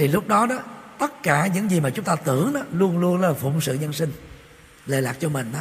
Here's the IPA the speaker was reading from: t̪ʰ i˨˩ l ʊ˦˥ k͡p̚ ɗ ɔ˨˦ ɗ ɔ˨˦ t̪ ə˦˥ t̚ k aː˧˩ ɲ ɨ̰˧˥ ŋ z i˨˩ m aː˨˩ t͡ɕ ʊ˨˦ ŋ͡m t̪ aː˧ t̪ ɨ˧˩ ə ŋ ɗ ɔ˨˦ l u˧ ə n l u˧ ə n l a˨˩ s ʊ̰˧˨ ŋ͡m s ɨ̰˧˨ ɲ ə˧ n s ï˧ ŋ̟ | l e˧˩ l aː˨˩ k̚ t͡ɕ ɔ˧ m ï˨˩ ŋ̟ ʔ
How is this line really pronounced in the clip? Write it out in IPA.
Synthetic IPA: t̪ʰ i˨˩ l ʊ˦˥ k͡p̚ ɗ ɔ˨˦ ɗ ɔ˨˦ t̪ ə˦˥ t̚ k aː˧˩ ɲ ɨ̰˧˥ ŋ z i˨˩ m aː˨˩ t͡ɕ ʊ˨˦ ŋ͡m t̪ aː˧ t̪ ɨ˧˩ ə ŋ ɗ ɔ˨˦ l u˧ ə n l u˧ ə n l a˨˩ f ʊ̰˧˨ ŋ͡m s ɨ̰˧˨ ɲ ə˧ n s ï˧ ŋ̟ | l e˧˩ l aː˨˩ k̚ t͡ɕ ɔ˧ m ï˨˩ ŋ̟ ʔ